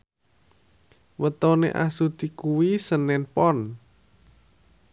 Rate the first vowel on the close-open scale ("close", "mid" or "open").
mid